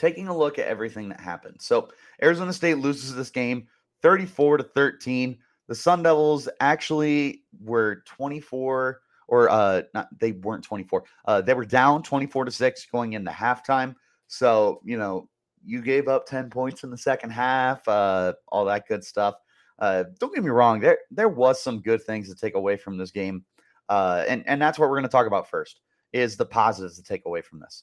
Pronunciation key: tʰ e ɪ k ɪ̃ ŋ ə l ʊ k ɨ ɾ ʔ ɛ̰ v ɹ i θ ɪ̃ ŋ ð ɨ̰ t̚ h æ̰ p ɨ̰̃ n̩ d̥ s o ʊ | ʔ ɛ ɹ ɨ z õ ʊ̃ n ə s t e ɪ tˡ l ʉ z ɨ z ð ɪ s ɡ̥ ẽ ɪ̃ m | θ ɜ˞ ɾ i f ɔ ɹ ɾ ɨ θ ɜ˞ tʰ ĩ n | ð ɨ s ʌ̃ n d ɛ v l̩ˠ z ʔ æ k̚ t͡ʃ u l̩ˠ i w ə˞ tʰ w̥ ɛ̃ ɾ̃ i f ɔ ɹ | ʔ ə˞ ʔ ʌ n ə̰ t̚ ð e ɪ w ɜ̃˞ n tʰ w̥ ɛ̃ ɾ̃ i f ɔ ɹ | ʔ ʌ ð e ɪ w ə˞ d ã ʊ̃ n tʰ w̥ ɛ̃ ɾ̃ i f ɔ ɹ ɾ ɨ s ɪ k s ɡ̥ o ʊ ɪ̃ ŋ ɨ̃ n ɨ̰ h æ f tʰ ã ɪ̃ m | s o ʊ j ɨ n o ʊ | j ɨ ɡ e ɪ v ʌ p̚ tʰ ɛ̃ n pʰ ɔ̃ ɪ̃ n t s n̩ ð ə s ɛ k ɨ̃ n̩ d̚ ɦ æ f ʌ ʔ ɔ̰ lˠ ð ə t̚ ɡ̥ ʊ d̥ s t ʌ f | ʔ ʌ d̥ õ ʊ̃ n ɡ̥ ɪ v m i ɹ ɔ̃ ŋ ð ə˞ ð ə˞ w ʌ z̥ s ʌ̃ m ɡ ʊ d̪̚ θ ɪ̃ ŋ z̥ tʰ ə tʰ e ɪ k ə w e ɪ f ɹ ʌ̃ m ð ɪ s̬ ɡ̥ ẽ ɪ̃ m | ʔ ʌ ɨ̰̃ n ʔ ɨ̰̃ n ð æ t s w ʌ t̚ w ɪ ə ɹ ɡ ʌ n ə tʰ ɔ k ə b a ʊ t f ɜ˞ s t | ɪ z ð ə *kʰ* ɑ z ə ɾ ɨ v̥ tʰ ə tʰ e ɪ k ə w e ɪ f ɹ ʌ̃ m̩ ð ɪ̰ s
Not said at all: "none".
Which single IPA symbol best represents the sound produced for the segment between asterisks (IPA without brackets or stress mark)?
pʰ